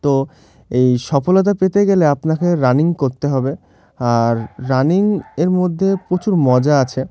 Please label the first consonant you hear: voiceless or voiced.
voiceless